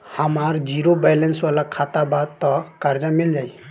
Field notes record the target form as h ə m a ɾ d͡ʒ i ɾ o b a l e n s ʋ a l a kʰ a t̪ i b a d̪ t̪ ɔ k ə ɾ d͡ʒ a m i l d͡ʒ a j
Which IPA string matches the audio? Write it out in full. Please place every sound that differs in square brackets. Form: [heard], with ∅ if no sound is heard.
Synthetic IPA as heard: h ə m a ɾ d͡ʒ i ɾ o b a l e n s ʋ a l a kʰ a t̪ [a] b a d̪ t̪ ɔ k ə ɾ d͡ʒ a m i l d͡ʒ a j